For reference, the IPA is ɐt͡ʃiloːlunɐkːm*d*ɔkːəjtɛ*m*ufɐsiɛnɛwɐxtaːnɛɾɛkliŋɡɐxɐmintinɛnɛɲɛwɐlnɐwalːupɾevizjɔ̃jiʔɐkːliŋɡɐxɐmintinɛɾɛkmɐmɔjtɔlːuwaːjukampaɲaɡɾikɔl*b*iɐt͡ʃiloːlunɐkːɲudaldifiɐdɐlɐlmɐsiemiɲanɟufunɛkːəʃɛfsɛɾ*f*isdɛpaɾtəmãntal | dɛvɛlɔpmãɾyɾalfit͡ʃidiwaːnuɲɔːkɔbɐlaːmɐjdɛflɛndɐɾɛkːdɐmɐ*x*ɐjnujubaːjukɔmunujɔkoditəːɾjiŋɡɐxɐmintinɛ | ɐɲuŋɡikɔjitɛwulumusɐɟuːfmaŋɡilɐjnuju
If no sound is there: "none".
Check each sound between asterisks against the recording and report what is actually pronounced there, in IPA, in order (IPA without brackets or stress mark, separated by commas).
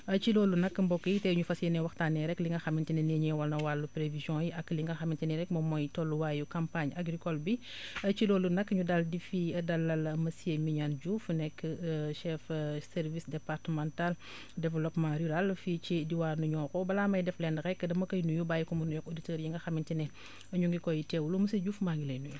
b, ɲ, b, v, k